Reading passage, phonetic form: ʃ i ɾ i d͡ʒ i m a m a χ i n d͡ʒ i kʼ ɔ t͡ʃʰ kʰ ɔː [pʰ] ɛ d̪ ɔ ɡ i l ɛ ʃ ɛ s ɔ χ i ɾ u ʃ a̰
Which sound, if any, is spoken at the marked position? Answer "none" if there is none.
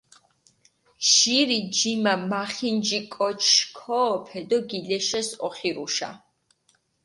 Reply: pʰ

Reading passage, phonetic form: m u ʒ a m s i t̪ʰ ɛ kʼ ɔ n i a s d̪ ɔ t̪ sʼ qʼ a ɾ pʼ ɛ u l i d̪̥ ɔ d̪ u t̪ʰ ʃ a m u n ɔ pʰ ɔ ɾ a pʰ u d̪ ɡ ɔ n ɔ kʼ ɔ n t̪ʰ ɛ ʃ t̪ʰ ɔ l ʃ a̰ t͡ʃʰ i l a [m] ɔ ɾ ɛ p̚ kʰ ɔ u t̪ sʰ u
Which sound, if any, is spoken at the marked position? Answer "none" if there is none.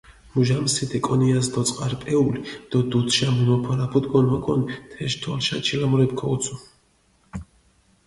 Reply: m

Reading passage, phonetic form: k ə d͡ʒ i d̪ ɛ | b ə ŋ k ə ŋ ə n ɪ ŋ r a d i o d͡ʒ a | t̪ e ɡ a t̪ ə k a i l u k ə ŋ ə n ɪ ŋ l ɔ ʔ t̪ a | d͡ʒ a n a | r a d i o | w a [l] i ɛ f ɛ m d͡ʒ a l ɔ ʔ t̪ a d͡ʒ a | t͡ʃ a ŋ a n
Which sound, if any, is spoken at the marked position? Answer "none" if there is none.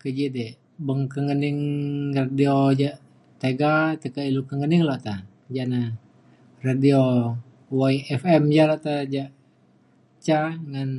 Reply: none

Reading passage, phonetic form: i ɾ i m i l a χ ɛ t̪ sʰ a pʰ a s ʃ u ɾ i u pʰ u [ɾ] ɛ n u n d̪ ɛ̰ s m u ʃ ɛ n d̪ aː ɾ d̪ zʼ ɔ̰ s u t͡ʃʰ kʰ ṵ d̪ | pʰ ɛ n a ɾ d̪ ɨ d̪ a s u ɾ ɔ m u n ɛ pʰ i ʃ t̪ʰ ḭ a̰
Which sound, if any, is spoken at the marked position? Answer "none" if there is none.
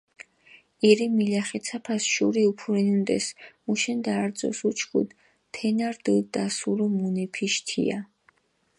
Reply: ɾ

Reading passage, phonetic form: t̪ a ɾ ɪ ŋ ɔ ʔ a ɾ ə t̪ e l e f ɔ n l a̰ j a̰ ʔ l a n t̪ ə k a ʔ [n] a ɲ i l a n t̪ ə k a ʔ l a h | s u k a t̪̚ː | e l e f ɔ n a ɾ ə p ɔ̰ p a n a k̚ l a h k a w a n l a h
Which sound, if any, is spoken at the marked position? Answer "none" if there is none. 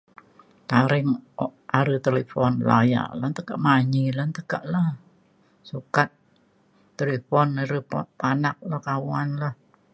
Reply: m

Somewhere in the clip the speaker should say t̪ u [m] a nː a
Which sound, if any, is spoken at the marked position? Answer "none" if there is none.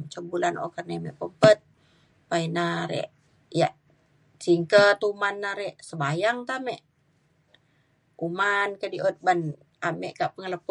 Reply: m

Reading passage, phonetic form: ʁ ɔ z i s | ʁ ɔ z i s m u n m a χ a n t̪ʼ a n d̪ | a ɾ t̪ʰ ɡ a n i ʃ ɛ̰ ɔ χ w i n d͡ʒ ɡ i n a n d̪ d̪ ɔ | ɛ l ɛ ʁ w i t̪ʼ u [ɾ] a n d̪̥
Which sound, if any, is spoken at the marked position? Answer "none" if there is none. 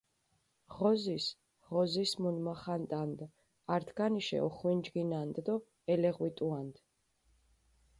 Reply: none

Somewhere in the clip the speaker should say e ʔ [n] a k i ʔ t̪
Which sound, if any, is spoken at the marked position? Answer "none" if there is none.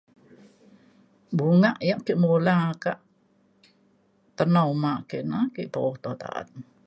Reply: n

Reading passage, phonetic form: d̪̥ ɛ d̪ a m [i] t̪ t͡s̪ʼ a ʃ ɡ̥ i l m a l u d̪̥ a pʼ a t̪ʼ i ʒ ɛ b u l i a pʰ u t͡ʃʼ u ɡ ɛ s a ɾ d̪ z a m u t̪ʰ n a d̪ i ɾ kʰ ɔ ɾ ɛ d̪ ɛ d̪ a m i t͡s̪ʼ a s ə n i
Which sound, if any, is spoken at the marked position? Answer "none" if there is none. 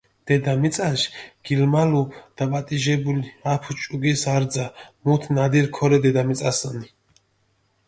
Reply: i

